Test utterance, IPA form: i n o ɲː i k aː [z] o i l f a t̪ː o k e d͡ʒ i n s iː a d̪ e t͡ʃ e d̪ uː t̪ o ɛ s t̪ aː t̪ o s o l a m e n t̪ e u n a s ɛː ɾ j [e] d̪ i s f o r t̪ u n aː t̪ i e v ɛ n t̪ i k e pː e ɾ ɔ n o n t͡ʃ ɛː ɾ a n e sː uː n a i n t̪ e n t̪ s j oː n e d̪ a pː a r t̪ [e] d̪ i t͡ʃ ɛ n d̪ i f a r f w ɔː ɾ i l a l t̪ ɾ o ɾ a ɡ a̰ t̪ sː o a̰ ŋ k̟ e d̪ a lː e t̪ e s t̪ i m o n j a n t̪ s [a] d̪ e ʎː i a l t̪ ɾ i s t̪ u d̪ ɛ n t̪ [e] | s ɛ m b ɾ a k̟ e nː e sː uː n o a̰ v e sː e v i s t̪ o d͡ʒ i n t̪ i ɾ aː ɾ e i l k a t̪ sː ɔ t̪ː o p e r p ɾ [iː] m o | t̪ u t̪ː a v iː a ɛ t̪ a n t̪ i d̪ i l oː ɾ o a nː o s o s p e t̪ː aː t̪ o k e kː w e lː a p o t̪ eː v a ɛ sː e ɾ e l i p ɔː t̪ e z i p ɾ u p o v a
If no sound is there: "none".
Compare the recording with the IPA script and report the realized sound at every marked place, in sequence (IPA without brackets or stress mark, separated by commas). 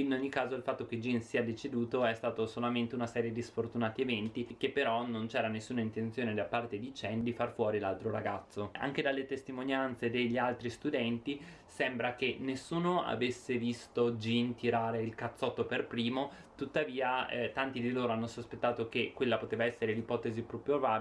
z, e, e, e, i, iː